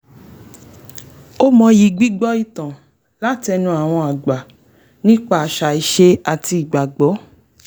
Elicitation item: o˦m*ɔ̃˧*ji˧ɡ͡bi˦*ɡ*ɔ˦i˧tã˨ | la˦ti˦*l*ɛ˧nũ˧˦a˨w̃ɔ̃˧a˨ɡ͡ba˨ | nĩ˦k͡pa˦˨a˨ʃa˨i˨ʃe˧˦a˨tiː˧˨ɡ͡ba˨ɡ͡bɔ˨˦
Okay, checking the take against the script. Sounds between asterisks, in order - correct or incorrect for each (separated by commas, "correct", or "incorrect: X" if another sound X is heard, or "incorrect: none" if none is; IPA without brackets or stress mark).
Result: correct, incorrect: ɡ͡b, incorrect: none